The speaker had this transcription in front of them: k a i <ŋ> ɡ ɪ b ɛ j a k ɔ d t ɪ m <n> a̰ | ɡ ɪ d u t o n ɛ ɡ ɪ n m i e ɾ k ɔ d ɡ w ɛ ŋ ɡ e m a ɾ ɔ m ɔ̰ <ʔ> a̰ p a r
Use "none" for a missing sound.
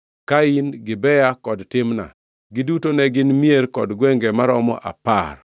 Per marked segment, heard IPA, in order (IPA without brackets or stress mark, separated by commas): n, n, ʔ